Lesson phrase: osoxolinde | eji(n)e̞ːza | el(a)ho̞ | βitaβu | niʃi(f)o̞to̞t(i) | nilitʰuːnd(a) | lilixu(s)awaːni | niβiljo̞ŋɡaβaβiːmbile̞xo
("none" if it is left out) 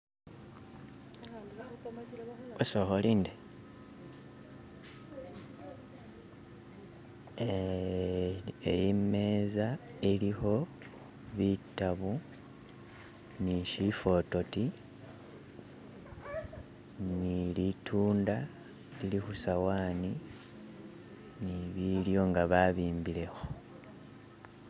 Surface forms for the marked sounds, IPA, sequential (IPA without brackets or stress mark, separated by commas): m, i, f, i, a, s